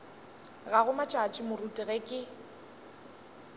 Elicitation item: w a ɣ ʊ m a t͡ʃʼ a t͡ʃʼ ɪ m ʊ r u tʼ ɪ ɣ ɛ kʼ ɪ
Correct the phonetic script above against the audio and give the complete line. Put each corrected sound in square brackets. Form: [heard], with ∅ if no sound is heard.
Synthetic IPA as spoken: [ɣ] a ɣ ʊ m a t͡ʃʼ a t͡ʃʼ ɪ m ʊ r u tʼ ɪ ɣ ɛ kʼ ɪ